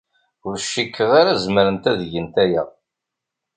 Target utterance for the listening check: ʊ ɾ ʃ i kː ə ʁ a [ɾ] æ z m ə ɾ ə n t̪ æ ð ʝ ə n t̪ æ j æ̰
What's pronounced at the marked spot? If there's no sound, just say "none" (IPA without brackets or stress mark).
ɾ